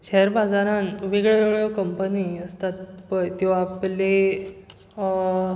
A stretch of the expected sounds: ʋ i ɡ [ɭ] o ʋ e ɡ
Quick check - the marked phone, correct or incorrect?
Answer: correct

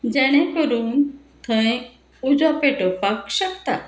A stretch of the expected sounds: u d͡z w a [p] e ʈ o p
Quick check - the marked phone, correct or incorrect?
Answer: correct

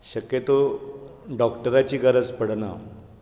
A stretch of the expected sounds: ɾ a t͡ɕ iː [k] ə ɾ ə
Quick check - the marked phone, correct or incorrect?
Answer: incorrect: ɡ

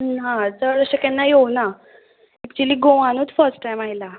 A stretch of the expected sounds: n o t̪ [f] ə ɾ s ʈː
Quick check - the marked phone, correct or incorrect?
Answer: correct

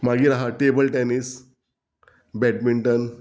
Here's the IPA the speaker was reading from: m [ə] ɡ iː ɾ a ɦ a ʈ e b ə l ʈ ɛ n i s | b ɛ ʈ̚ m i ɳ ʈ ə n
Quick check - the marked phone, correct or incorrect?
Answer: incorrect: a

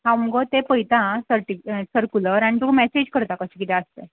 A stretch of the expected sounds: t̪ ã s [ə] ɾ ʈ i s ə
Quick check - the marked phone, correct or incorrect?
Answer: correct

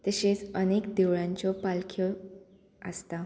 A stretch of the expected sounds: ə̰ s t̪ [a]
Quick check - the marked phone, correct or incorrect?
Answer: correct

